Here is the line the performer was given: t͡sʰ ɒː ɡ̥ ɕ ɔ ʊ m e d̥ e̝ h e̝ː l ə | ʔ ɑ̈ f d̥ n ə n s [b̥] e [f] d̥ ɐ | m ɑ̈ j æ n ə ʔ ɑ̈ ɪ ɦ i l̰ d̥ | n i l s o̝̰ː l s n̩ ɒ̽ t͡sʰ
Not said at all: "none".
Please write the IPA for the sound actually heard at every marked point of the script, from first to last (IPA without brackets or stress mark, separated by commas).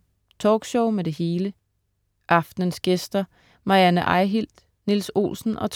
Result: ɡ̥, s